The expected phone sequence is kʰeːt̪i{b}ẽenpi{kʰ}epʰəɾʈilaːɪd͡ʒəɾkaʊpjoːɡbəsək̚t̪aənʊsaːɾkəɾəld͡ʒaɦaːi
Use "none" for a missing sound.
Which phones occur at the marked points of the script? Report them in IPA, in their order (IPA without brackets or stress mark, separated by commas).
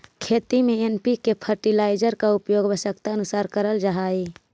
m, k